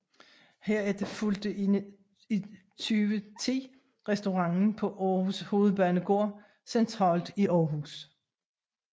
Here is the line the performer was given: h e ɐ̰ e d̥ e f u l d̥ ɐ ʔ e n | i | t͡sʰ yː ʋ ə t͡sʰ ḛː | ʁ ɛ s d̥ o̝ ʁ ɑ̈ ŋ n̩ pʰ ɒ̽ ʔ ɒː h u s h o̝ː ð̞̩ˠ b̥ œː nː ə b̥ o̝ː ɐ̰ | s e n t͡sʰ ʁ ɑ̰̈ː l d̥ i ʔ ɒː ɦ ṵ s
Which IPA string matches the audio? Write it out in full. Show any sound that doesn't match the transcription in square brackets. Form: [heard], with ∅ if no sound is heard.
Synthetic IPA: h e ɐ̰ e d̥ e f u l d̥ [ə] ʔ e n | i | t͡sʰ yː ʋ ə t͡sʰ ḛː | ʁ ɛ s d̥ o̝ ʁ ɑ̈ ŋ n̩ pʰ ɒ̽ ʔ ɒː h u s h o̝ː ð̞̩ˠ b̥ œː [n] ə [ɡ̥] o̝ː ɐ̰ | s e n t͡sʰ ʁ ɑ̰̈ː l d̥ i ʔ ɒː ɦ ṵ s